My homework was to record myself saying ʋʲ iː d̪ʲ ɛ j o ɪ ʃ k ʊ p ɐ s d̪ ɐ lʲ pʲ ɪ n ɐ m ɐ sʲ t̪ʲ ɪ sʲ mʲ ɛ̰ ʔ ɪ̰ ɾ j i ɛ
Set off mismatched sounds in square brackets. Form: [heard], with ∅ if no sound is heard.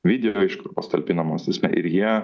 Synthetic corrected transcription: ʋʲ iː d̪ʲ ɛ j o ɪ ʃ k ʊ p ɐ s [t̪] ɐ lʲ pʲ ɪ n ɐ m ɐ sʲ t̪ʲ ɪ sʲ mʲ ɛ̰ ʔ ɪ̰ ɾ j i ɛ

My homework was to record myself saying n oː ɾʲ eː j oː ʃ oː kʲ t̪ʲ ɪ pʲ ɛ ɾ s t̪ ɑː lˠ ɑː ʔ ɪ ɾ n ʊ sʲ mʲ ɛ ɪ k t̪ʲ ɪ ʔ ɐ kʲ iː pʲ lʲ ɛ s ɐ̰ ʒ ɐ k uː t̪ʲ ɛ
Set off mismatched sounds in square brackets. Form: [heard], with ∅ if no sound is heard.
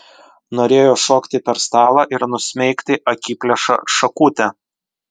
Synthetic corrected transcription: n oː ɾʲ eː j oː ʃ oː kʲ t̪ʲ ɪ pʲ ɛ ɾ s t̪ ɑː lˠ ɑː ʔ ɪ ɾ n ʊ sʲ mʲ ɛ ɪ k t̪ʲ ɪ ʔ ɐ kʲ iː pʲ lʲ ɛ [ʃ] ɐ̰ [ʃ] ɐ k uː t̪ʲ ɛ

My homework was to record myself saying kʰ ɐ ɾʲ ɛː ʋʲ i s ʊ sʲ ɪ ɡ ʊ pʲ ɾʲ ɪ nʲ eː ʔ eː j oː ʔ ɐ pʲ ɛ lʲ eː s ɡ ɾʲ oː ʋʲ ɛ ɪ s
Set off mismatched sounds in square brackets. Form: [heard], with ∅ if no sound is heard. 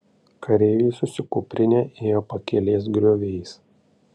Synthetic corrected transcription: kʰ ɐ ɾʲ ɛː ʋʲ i s ʊ sʲ ɪ [k] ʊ pʲ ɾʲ ɪ nʲ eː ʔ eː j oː [p] ɐ [kʲ] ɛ lʲ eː s ɡ ɾʲ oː ʋʲ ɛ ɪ s

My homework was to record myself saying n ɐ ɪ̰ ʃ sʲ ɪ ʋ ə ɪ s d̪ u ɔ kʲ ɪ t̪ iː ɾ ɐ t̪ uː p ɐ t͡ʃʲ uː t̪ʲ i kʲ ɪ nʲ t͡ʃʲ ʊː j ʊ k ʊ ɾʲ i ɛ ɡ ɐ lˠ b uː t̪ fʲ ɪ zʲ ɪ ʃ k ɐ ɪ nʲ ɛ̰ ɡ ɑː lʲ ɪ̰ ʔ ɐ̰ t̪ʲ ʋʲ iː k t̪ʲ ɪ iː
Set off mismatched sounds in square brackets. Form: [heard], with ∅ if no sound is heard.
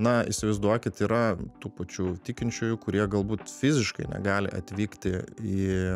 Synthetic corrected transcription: n ɐ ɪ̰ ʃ sʲ ɪ ʋ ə ɪ [z] d̪ u ɔ kʲ ɪ t̪ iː ɾ ɐ t̪ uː p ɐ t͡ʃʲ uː t̪ʲ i kʲ ɪ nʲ t͡ʃʲ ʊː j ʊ k ʊ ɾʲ i ɛ ɡ ɐ lˠ b uː t̪ fʲ ɪ zʲ ɪ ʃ k ɐ ɪ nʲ ɛ̰ ɡ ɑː lʲ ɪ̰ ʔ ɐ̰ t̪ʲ ʋʲ iː k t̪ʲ ɪ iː

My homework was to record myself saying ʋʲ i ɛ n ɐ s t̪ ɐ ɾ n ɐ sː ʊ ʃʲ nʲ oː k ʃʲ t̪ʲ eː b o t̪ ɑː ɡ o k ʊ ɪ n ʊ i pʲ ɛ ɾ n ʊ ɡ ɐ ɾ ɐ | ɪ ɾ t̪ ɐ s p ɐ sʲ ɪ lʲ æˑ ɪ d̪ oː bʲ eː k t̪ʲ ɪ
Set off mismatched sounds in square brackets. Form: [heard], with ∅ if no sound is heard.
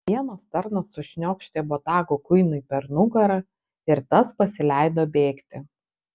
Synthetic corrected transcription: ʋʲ i ɛ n ɐ s t̪ ɐ ɾ n ɐ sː ʊ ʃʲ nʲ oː k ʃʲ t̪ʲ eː b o t̪ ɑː ɡ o k ʊ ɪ n ʊ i pʲ ɛ ɾ n ʊ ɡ ɐ ɾ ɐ | ɪ ɾ t̪ ɐ s p ɐ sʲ ɪ lʲ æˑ ɪ d̪ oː bʲ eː k t̪ʲ ɪ

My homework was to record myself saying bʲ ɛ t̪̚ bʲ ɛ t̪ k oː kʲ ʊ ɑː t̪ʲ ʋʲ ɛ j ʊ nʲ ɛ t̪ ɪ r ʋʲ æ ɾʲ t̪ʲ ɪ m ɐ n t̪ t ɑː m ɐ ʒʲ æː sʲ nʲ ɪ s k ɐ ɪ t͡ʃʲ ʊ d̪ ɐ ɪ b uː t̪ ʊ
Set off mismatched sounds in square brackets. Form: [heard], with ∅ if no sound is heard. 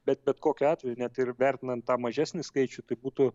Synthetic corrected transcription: bʲ ɛ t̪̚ bʲ ɛ t̪ k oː kʲ ʊ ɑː t̪ʲ ʋʲ ɛ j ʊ nʲ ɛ t̪ ɪ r ʋʲ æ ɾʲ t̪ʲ ɪ [n] ɐ n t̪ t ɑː m ɐ ʒʲ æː sʲ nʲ ɪ s k ɐ ɪ t͡ʃʲ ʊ [t̪] ɐ ɪ b uː t̪ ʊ

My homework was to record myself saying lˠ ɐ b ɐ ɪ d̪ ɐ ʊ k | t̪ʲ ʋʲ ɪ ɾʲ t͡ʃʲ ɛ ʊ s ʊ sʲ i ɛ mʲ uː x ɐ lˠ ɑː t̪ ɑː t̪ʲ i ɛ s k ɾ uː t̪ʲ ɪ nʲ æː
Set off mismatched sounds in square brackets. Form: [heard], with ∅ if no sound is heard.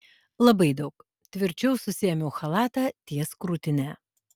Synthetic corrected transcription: lˠ ɐ b ɐ ɪ d̪ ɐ ʊ k | t̪ʲ ʋʲ ɪ ɾʲ t͡ʃʲ ɛ ʊ s ʊ sʲ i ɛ mʲ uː x ɐ lˠ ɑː t̪ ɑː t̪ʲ i ɛ s k ɾ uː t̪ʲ ɪ nʲ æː

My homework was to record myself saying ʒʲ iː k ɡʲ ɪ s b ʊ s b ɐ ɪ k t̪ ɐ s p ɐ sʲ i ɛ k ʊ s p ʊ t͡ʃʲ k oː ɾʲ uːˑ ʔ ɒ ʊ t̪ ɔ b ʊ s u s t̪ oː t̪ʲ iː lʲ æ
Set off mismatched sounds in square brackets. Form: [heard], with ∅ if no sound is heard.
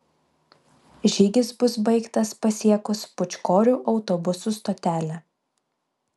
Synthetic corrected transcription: ʒʲ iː [∅] ɡʲ ɪ s b ʊ s b ɐ ɪ k t̪ ɐ s p ɐ sʲ i ɛ k ʊ s p ʊ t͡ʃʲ k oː ɾʲ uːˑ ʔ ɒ ʊ t̪ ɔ b ʊ s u s t̪ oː t̪ʲ [æː] lʲ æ

